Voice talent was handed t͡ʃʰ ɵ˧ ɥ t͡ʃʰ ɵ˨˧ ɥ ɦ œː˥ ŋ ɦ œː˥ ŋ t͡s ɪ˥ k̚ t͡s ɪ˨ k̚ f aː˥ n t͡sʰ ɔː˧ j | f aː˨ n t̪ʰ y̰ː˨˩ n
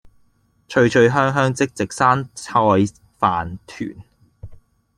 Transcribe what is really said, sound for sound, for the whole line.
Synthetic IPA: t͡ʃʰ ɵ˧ ɥ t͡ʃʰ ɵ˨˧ ɥ ɦ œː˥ ŋ ɦ œː˥ ŋ t͡s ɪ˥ k̚ t͡s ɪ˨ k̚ s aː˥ n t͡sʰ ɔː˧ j | f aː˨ n t̪ʰ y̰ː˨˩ n